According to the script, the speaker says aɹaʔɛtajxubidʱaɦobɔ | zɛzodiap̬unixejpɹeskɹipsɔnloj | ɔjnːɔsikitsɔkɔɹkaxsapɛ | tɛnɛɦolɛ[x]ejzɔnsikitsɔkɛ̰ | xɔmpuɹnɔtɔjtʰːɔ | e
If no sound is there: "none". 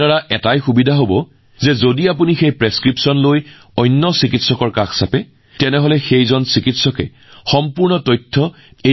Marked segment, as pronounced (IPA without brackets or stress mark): x